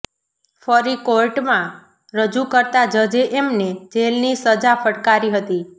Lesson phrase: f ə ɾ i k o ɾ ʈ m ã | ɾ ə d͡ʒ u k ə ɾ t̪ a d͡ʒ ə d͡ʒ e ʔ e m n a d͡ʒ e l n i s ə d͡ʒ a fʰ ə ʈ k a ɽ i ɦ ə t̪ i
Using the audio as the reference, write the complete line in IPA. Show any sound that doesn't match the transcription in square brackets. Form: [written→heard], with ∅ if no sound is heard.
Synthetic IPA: f ə ɾ i k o ɾ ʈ m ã | ɾ ə d͡ʒ u k ə ɾ t̪ a d͡ʒ ə d͡ʒ e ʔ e m n [a→e] d͡ʒ e l n i s ə d͡ʒ a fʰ ə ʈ k a [ɽ→ɾ] i ɦ ə t̪ i